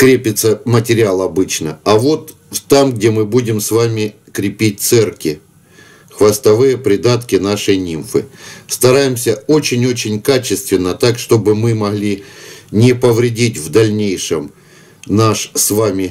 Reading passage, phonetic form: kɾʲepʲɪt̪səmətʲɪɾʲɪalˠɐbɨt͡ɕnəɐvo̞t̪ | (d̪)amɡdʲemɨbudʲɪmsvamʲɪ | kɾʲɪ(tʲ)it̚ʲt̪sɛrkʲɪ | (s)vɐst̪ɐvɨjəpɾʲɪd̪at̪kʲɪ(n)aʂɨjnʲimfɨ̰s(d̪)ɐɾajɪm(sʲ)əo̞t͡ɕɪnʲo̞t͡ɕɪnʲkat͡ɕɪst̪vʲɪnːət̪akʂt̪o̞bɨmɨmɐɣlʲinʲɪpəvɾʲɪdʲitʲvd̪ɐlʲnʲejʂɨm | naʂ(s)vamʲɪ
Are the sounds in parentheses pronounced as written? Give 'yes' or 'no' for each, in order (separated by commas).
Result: no, no, no, yes, no, yes, yes